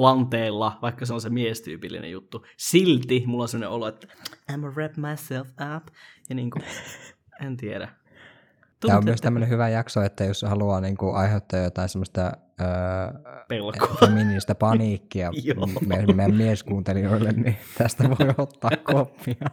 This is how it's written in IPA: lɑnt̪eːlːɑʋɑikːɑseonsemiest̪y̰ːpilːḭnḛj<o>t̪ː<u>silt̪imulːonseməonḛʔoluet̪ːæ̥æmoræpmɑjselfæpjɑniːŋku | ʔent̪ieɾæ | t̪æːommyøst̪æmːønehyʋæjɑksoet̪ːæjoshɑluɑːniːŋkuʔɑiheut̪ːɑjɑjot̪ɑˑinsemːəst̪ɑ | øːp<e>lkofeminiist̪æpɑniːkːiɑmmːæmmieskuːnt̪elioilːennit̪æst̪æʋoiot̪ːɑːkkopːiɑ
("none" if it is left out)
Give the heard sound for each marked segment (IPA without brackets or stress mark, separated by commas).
u, u, e